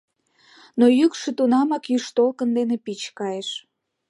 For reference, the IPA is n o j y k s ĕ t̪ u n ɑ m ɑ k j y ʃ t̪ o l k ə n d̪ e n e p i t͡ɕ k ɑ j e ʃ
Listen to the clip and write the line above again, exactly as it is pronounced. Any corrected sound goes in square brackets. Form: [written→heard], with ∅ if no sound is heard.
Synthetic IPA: n o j y k [s→ʃ] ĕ t̪ u n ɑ m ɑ k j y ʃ t̪ o l k ə n d̪ e n e p i t͡ɕ k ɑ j e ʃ